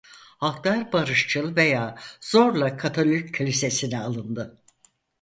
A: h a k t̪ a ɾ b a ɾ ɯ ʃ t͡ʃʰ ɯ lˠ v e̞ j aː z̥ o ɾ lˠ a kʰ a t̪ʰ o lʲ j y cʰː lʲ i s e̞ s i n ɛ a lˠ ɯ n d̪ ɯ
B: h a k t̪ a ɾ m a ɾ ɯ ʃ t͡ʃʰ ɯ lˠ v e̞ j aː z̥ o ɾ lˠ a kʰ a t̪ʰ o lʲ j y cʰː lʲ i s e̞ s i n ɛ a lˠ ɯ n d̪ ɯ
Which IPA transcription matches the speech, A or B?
A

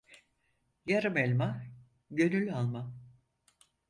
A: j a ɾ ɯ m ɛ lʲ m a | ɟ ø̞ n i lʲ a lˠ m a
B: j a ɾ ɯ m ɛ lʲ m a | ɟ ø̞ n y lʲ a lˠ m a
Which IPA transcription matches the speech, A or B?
B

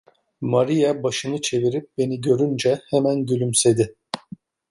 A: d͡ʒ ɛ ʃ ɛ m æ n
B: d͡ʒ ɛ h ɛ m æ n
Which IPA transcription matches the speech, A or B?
B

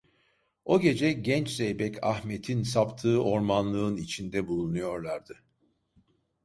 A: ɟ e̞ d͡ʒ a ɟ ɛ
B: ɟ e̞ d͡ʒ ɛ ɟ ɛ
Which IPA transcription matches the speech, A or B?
B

